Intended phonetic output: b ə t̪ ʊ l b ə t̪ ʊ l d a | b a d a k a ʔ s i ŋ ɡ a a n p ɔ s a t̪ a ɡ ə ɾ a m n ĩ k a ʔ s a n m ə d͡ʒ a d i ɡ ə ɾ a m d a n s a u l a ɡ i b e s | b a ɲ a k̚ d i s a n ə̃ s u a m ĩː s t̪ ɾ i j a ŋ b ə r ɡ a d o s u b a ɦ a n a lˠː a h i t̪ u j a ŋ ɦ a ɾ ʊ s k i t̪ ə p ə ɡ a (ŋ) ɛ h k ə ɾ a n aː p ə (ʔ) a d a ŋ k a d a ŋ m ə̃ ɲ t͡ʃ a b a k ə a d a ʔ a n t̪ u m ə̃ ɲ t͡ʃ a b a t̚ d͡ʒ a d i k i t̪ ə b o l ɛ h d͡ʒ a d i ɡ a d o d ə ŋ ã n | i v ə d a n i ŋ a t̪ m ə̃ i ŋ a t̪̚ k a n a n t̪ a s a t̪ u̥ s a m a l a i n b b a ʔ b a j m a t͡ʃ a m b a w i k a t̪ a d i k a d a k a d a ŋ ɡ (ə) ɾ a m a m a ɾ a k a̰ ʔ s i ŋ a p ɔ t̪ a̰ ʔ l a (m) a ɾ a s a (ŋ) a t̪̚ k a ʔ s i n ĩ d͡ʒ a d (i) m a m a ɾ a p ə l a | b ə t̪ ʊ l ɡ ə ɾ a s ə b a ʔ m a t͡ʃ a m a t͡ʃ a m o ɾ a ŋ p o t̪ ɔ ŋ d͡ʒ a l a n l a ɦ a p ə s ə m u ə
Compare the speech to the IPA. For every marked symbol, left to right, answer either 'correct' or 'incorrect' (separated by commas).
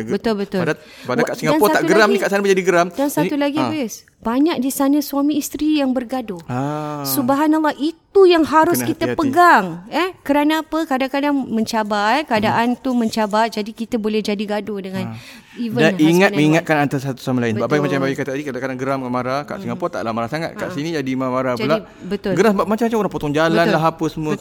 correct, incorrect, correct, correct, correct, correct